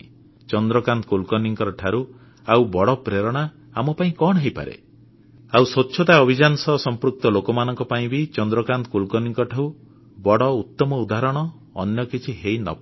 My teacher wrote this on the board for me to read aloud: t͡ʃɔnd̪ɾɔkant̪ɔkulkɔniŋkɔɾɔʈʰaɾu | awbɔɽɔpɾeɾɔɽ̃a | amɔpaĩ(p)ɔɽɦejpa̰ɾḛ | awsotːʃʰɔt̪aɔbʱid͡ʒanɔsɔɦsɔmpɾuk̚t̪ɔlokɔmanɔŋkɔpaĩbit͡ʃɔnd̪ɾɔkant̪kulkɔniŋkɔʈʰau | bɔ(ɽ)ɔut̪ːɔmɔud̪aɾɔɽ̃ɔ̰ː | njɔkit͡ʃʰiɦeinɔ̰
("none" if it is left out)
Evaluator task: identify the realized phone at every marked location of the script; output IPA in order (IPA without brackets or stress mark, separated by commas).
k, ɽ